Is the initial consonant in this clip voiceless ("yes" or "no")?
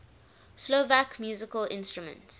yes